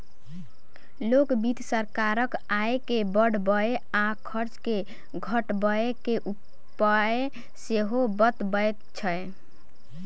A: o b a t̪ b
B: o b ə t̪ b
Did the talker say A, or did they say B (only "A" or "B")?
B